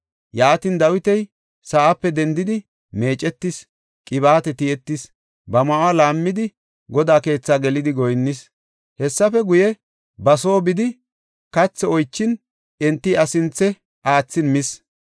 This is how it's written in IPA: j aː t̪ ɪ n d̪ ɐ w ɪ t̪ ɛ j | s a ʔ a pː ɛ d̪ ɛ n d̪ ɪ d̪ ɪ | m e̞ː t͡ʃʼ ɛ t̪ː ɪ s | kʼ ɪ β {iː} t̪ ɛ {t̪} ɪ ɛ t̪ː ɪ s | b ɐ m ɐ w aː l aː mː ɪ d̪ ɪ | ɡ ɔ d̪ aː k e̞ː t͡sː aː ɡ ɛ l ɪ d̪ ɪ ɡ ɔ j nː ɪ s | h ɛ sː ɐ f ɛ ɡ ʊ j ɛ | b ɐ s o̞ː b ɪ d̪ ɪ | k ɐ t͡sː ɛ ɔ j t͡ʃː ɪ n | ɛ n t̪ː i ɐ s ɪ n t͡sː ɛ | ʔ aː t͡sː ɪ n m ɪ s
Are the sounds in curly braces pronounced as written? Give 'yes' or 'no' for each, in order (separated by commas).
no, yes